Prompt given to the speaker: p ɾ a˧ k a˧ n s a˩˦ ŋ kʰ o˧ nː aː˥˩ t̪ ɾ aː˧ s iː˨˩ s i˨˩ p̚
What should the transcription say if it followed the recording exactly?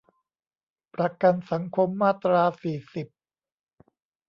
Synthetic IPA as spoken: p ɾ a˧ k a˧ n s a˩˦ ŋ kʰ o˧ mː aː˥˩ t̪ ɾ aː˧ s iː˨˩ s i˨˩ p̚